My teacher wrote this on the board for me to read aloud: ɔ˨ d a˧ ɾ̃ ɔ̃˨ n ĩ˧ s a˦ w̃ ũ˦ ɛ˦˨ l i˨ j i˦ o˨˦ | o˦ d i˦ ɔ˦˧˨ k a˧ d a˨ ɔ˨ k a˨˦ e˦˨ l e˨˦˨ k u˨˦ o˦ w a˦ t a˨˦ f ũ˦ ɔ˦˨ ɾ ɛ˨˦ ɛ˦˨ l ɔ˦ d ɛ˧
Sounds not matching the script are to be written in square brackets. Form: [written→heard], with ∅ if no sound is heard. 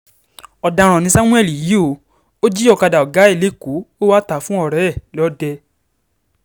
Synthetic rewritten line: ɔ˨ d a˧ ɾ̃ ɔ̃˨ n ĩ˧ s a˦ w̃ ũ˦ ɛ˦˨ l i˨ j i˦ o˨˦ | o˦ [d→d͡ʒ] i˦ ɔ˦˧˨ k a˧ d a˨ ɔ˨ [k→ɡ] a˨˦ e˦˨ l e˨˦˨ k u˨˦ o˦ w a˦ t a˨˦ f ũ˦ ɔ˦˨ ɾ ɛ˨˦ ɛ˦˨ l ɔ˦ d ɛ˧